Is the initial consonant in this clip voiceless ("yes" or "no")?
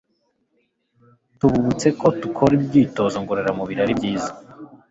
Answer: yes